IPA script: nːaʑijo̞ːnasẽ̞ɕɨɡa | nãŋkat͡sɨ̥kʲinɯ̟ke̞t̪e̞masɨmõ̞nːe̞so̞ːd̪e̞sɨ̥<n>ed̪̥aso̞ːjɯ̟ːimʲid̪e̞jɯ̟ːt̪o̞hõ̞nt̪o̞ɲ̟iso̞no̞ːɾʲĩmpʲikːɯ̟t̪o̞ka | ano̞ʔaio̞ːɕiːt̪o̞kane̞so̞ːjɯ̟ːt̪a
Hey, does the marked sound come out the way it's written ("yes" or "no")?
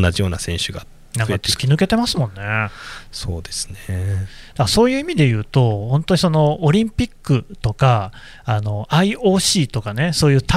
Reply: yes